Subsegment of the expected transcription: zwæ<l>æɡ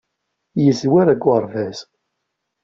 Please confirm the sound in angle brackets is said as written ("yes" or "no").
no